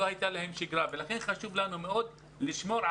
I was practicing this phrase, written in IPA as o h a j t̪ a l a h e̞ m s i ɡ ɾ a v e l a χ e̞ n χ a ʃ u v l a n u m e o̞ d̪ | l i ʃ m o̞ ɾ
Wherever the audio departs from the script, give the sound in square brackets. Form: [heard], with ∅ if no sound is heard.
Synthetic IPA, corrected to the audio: o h a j t̪ a l a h e̞ m [ʃ] i ɡ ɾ a v e l a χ e̞ n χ a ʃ u v l a n u m e o̞ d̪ | l i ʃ m o̞ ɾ